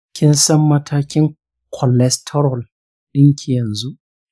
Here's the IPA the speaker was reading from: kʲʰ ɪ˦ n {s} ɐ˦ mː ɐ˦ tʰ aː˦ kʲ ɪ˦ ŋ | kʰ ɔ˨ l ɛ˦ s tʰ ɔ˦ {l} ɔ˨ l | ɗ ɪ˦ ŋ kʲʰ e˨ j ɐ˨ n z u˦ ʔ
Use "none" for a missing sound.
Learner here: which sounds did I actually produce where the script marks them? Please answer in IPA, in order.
s, ɾ

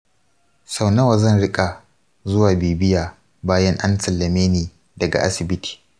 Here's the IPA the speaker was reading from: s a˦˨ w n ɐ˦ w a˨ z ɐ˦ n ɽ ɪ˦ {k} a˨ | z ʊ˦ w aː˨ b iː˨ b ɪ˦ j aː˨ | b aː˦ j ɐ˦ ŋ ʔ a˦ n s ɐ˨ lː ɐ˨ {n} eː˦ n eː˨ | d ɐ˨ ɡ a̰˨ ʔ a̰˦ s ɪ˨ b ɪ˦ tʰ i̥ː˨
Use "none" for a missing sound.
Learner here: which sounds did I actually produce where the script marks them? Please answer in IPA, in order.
kʼ, m

